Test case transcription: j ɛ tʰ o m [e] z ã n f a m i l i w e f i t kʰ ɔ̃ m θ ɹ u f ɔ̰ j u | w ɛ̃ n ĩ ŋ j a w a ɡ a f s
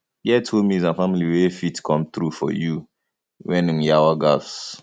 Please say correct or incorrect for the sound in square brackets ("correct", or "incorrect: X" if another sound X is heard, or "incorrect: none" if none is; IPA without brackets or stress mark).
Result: incorrect: i